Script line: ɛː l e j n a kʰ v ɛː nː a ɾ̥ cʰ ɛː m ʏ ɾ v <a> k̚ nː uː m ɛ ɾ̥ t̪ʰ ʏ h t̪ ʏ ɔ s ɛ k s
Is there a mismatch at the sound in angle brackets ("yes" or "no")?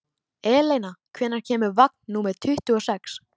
no